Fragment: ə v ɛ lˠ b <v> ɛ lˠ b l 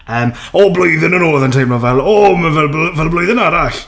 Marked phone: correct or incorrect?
correct